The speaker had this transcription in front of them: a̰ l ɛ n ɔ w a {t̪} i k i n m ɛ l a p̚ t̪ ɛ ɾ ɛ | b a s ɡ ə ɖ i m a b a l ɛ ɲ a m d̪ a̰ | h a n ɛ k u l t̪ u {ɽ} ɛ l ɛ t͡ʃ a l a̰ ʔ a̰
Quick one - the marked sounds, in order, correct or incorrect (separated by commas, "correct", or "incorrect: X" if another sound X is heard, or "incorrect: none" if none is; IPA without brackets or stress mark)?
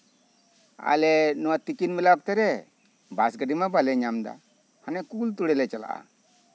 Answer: correct, correct